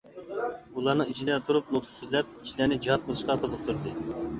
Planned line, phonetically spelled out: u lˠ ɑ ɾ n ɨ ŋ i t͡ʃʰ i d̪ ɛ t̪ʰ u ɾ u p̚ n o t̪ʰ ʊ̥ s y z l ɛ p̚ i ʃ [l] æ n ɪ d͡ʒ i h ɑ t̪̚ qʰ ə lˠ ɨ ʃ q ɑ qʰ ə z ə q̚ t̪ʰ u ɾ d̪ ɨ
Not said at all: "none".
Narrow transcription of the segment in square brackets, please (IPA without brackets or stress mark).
l